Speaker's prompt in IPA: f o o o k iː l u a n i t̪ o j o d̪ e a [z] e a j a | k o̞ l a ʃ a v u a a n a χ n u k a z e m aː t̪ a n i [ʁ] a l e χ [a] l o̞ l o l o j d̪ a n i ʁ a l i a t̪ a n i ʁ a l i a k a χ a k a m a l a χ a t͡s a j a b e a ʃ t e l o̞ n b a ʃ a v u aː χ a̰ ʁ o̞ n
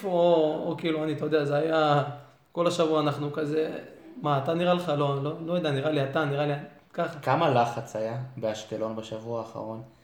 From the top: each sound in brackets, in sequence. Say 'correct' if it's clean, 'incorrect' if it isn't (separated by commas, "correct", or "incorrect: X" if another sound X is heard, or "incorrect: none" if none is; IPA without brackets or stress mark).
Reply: correct, correct, correct